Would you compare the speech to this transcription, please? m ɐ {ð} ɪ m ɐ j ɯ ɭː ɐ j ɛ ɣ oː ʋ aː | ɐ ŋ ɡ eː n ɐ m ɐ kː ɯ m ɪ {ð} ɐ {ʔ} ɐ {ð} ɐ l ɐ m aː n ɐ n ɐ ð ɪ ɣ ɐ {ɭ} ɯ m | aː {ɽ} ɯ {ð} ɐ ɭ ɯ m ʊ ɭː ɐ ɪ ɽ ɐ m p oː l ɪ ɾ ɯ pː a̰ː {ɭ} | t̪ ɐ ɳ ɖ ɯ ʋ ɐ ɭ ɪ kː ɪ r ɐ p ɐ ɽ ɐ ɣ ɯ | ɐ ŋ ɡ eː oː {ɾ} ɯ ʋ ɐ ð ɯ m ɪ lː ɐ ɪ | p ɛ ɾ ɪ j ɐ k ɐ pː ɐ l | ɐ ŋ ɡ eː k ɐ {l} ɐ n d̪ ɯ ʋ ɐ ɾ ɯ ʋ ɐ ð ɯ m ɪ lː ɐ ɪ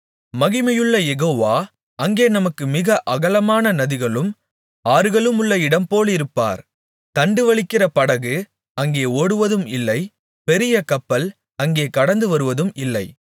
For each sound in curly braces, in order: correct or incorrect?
incorrect: ɣ, incorrect: ɣ, correct, incorrect: ɣ, correct, incorrect: ɾ, incorrect: ɣ, incorrect: ɾ, incorrect: ɽ, incorrect: ɽ

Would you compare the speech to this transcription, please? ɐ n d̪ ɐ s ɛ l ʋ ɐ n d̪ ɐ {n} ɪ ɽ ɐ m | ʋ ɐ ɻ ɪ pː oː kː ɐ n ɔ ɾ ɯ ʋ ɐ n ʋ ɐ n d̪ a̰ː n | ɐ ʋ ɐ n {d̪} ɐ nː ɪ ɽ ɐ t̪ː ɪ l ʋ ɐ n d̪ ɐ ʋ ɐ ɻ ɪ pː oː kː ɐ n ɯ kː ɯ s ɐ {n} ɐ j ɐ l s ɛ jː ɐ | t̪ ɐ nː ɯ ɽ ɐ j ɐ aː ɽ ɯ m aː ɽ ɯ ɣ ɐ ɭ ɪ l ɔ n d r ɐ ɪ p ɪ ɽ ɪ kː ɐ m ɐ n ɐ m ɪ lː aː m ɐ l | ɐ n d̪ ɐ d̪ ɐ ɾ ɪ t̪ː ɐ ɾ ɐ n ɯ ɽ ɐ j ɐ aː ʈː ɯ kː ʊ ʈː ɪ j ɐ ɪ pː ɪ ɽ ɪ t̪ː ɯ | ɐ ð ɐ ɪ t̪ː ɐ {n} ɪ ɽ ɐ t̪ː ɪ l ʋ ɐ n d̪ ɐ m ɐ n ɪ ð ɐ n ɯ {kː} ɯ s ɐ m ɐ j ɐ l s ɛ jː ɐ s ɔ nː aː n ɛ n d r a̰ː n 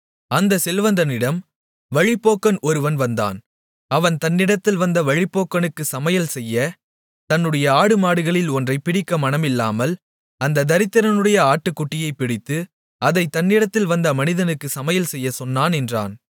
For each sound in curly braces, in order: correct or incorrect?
correct, incorrect: t̪, incorrect: m, incorrect: nː, correct

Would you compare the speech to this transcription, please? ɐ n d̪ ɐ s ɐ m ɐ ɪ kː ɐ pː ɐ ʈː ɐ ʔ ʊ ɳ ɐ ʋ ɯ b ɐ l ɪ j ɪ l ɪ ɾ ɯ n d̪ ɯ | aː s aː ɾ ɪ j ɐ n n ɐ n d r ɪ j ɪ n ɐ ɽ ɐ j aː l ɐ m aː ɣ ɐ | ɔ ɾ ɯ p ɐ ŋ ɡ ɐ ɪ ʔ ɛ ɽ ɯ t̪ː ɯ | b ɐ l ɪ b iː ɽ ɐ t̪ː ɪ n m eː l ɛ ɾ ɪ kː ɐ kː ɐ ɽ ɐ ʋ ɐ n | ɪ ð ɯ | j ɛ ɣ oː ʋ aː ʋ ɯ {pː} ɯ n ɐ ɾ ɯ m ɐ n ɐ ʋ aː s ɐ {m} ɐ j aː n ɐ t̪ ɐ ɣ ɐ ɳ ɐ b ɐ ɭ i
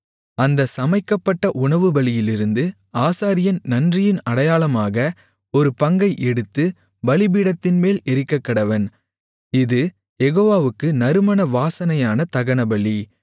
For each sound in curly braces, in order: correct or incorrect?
incorrect: kː, incorrect: n

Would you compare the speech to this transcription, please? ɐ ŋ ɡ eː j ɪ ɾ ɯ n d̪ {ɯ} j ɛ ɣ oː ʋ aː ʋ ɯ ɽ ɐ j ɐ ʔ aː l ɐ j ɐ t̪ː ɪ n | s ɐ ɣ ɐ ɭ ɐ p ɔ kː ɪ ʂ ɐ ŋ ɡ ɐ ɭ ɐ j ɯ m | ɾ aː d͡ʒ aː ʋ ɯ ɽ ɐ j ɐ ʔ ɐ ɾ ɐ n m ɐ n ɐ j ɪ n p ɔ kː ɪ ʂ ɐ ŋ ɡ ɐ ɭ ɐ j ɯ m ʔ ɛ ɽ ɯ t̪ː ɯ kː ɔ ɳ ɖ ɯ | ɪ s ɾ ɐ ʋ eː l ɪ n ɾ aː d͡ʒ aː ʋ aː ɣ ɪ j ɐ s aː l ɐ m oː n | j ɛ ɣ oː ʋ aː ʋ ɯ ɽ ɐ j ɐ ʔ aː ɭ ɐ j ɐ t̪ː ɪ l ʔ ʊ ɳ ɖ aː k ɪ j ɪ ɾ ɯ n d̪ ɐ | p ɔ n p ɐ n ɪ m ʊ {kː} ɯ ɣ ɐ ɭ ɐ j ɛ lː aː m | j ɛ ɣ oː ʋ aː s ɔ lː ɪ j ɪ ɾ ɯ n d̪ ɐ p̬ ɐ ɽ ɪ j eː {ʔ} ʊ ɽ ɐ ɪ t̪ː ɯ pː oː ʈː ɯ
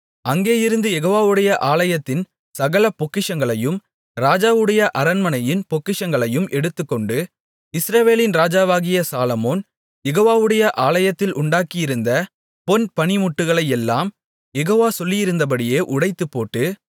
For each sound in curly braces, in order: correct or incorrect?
correct, incorrect: ʈː, correct

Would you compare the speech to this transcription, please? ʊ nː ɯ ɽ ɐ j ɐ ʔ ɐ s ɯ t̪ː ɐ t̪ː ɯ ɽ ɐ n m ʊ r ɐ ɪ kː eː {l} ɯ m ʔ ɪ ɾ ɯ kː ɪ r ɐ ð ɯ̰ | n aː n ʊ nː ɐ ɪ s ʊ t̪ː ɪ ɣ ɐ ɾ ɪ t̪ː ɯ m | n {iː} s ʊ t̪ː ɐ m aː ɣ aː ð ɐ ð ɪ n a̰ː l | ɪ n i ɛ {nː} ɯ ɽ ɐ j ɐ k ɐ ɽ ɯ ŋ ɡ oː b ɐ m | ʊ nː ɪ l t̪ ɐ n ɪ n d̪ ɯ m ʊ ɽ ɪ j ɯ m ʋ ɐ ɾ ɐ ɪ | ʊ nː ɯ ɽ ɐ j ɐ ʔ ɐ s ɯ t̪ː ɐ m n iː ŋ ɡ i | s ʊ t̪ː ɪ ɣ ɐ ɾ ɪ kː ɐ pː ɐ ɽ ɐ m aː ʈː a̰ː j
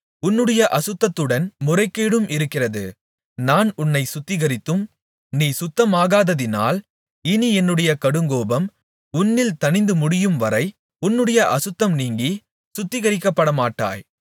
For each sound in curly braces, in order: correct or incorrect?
incorrect: ɽ, correct, correct

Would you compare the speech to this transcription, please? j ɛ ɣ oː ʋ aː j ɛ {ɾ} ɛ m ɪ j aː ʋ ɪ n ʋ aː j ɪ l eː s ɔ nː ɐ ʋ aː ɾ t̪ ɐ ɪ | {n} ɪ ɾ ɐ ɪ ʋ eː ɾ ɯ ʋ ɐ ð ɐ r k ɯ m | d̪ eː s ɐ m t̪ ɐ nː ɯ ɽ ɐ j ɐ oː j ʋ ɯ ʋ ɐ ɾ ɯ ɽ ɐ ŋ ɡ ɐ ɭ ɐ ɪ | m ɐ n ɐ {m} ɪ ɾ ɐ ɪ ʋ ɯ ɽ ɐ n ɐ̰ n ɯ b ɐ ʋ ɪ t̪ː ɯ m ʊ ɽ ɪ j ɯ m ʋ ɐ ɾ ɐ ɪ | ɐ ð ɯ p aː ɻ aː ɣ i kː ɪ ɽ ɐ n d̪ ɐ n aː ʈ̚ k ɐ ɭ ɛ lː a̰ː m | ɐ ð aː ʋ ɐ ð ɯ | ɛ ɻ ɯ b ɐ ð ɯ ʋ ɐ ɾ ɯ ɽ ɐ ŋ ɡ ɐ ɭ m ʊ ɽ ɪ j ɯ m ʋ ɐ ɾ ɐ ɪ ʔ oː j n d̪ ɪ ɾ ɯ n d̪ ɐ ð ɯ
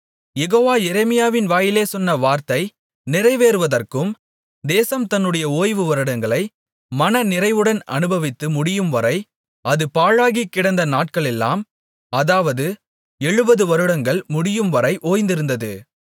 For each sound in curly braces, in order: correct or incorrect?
correct, correct, incorrect: n

